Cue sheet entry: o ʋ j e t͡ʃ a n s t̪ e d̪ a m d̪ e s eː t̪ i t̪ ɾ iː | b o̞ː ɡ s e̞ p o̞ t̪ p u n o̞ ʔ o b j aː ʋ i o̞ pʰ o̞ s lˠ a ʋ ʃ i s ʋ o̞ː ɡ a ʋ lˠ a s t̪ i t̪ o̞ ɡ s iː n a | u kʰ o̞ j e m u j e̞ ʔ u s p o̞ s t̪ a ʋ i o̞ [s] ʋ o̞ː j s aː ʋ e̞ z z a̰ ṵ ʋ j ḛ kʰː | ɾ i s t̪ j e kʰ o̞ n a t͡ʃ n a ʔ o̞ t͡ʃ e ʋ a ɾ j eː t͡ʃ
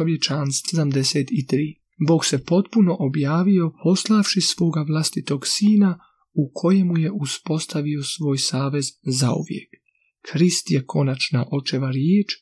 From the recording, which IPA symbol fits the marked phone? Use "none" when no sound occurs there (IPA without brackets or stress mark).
s